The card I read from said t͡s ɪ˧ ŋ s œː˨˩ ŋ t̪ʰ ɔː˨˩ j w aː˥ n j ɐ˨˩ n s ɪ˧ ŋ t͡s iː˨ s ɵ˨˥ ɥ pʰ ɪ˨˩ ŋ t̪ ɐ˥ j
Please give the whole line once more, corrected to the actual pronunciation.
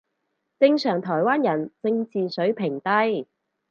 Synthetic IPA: t͡s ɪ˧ ŋ s œː˨˩ ŋ t̪ʰ ɔː˨˩ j w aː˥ n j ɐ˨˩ n t͡s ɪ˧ ŋ t͡s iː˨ s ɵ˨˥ ɥ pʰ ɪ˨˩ ŋ t̪ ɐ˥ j